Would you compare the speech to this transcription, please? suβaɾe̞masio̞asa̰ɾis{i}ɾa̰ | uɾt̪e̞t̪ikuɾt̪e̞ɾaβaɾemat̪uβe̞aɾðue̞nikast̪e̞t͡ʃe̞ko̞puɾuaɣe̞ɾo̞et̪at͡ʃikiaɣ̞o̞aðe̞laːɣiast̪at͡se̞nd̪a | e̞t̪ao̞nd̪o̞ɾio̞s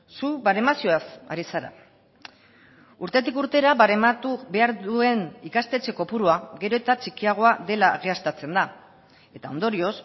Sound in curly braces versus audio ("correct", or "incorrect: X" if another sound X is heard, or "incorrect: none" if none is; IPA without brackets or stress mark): incorrect: a